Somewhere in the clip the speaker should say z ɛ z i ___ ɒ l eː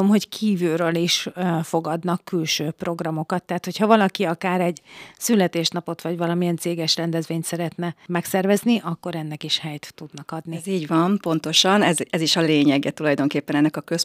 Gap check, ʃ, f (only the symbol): ʃ